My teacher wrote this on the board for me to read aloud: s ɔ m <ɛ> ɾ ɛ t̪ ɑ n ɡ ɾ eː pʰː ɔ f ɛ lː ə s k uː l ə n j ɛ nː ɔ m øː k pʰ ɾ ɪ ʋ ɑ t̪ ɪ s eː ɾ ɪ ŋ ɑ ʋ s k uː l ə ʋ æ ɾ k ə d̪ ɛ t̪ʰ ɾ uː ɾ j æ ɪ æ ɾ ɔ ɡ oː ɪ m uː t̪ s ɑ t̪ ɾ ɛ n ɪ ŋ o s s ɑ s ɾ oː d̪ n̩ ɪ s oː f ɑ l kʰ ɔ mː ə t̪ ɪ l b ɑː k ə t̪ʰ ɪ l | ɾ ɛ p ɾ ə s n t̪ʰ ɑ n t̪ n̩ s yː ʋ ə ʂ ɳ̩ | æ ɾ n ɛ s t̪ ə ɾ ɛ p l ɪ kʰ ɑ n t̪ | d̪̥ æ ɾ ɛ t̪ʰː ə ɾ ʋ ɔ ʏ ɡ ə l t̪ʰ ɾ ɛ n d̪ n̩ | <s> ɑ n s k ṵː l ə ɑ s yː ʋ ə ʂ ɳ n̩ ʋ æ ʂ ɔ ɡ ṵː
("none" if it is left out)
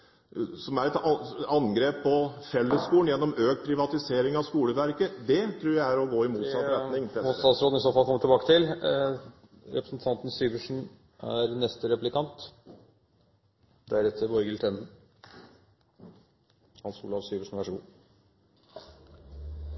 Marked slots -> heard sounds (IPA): æ, h

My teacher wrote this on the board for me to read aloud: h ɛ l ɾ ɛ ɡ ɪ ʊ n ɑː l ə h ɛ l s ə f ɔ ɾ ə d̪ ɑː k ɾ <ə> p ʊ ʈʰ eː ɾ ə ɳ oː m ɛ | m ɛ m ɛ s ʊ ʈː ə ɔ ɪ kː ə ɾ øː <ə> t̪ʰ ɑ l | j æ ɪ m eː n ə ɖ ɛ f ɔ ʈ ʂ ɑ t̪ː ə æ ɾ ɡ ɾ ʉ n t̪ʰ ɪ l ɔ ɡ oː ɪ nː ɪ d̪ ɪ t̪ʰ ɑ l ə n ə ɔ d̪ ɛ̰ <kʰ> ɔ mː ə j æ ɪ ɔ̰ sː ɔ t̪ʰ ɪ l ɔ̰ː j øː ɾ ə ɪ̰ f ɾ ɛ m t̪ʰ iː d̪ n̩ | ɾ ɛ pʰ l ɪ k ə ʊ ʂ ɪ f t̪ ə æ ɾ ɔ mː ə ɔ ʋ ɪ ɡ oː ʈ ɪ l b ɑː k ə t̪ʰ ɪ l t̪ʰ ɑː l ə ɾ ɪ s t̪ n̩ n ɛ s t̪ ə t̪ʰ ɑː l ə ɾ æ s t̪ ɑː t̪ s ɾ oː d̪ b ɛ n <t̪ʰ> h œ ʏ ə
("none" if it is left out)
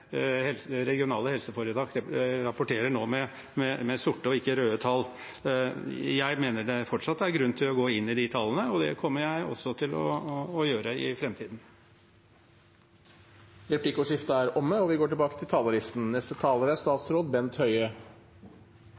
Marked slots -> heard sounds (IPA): ɑ, ə, kʰ, t̪

